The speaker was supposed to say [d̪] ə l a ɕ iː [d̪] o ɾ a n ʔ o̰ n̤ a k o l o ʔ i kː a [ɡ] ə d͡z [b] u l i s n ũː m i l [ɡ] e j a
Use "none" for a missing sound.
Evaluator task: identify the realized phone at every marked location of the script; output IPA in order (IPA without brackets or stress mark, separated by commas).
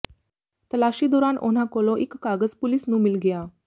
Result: t̪, d̪, ɡ, p, ɡ